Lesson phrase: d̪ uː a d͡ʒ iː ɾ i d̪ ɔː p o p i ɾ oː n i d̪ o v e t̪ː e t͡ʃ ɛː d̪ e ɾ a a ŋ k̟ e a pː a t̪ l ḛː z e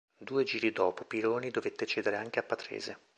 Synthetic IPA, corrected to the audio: d̪ uː e d͡ʒ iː ɾ i d̪ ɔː p o p i ɾ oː n i d̪ o v e t̪ː e t͡ʃ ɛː d̪ e ɾ e a ŋ k̟ e a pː a t̪ ɾ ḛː z e